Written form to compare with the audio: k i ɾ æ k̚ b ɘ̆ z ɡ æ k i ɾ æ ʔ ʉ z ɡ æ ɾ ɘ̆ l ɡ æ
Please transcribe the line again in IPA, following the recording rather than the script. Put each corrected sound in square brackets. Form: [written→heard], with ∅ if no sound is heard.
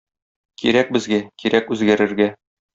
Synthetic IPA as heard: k i ɾ æ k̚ b ɘ̆ z ɡ æ k i ɾ æ [ʔ→k] ʉ z ɡ æ ɾ ɘ̆ [l→ɾ] ɡ æ